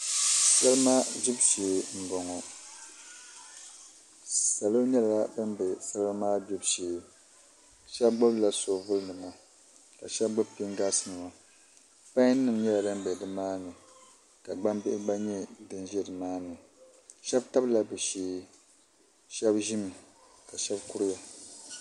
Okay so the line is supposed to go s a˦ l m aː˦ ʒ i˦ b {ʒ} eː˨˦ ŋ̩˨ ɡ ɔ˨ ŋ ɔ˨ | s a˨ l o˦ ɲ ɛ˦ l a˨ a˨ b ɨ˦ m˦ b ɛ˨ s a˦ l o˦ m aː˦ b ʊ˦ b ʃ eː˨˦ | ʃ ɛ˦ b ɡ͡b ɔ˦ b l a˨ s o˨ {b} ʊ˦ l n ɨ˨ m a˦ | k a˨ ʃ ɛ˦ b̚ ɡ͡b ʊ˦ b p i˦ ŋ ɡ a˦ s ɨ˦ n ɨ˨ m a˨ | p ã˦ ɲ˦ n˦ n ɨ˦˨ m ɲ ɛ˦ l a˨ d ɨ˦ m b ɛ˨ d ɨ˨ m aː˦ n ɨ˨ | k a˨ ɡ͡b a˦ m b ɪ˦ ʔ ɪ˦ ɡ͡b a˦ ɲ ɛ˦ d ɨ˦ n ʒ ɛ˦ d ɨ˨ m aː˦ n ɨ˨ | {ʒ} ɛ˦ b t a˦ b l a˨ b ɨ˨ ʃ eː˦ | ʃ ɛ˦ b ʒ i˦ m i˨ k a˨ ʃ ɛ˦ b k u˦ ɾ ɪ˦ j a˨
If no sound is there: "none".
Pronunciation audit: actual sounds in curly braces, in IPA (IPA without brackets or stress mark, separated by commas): ʃ, v, ʃ